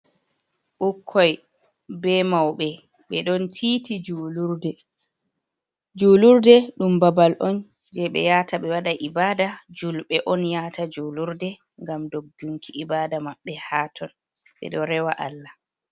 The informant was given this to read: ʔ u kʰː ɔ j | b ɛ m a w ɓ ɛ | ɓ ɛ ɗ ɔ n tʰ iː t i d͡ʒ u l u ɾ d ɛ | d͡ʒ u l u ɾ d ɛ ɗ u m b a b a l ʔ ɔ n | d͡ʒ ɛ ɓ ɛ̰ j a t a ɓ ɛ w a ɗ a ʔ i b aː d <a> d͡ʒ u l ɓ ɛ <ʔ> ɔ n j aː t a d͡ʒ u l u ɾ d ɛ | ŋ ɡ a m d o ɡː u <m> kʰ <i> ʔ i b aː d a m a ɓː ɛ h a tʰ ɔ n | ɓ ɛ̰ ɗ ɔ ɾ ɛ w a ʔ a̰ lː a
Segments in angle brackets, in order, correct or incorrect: correct, correct, incorrect: ŋ, correct

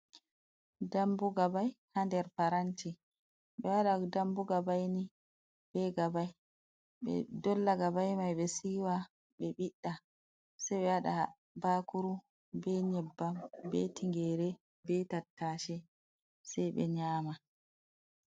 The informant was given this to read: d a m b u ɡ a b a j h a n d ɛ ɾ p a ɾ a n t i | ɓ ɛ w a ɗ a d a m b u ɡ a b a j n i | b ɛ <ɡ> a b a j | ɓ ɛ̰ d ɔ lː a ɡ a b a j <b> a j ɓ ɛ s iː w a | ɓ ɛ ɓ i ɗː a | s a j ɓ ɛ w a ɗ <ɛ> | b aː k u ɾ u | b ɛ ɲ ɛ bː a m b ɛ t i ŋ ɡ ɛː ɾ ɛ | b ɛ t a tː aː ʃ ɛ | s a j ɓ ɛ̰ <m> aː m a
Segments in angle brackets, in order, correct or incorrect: correct, incorrect: m, incorrect: a, incorrect: ɲ

